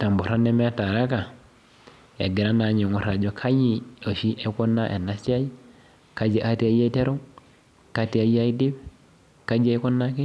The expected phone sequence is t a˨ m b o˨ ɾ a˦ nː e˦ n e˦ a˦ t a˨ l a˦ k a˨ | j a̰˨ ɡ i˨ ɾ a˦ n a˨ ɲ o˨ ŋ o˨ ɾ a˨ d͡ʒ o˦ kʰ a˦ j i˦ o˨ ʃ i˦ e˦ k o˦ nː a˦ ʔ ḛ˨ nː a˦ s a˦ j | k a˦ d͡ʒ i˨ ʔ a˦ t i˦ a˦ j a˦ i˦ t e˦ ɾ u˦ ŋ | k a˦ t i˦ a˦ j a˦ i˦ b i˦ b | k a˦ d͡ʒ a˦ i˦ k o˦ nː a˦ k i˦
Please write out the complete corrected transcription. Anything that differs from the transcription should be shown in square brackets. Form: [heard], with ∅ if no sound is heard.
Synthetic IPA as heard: t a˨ m b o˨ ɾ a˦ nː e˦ [m] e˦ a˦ t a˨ [ɾ] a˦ k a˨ | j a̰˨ ɡ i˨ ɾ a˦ n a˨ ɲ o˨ ŋ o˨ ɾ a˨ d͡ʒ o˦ kʰ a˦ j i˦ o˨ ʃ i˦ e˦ k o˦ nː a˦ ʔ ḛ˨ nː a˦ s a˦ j | k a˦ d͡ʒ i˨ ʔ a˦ t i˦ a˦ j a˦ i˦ t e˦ ɾ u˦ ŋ | k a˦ t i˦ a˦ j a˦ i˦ [d] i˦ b | k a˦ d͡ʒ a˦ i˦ k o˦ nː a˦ k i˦